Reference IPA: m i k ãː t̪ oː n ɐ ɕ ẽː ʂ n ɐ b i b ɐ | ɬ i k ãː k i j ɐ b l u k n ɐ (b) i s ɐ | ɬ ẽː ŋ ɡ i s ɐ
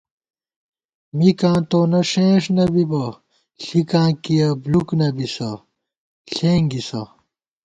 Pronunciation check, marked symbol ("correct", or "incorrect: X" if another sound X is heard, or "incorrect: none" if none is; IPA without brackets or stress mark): correct